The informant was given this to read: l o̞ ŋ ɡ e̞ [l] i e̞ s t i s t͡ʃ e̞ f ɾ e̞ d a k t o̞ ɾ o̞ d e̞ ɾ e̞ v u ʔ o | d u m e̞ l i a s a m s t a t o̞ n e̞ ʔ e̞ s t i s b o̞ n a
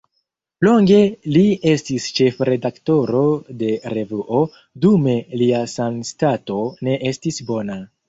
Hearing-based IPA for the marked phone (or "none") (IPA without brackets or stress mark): l